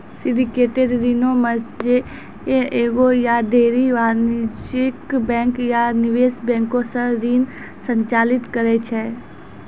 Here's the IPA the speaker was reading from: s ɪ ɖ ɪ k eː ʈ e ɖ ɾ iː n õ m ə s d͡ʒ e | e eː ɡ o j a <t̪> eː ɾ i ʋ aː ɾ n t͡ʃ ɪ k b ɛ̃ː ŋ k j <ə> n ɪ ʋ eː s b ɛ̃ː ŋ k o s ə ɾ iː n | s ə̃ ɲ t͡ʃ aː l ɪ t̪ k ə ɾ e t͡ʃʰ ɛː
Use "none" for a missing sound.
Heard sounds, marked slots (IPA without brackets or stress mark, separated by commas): d̪, a